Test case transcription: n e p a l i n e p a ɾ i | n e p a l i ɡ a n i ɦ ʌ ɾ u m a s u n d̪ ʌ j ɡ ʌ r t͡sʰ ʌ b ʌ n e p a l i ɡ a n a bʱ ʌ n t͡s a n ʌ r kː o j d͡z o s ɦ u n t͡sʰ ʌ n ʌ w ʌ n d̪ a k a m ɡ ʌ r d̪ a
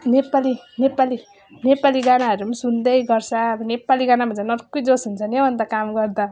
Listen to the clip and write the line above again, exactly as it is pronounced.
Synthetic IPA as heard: n e p a l i n e p a l i | n e p a l i ɡ a n a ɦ ʌ ɾ u m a s u n d̪ ʌ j ɡ ʌ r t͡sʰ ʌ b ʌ n e p a l i ɡ a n a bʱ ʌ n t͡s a n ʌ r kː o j d͡z o s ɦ u n t͡sʰ ʌ n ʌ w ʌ n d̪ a k a m ɡ ʌ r d̪ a